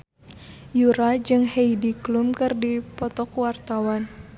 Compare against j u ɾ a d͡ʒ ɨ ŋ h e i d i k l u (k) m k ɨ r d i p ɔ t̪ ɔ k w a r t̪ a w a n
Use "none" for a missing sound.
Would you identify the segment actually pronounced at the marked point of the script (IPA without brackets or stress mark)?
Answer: none